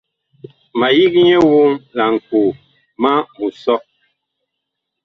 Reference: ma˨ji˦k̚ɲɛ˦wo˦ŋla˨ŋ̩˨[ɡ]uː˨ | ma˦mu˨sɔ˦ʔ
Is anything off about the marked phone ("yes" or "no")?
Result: yes